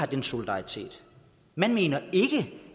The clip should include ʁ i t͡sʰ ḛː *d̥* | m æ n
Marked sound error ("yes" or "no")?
no